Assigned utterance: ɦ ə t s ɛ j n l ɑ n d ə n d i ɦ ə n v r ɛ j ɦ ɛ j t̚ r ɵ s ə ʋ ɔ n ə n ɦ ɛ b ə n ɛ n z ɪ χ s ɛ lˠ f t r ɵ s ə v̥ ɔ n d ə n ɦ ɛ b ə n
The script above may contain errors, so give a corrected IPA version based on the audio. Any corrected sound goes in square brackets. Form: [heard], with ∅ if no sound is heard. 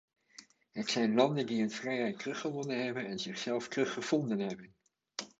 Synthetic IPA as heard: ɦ ə t s ɛ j n l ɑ n d ə n d i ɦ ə n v r ɛ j ɦ ɛ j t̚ r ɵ [χ] ə ʋ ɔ n ə n ɦ ɛ b ə n ɛ n z ɪ χ s ɛ lˠ f t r ɵ [χ] ə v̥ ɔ n d ə n ɦ ɛ b ə n